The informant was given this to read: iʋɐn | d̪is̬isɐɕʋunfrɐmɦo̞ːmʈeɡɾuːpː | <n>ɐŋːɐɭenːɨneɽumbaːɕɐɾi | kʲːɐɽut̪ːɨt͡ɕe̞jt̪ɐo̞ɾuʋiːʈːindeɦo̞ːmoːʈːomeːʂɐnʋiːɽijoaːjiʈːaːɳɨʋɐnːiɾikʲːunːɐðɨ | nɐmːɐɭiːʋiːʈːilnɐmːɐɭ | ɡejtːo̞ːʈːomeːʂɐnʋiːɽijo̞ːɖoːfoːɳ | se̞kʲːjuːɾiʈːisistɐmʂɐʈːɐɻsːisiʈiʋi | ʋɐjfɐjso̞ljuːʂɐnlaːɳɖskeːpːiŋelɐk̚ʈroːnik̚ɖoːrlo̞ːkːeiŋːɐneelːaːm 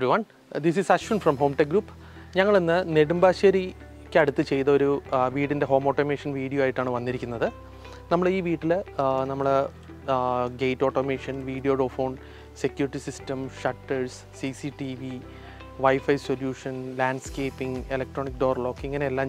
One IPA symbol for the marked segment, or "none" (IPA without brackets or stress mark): ɲ